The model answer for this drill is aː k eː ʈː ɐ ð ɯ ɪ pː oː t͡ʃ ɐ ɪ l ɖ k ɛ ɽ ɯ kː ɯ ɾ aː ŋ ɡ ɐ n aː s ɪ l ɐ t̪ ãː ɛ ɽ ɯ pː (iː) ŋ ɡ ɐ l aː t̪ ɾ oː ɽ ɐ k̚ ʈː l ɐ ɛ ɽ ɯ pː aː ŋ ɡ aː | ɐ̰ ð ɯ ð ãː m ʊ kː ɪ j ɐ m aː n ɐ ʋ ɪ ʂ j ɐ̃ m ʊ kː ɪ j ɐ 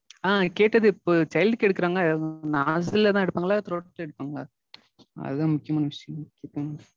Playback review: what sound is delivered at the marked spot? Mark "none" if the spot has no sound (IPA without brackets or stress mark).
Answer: aː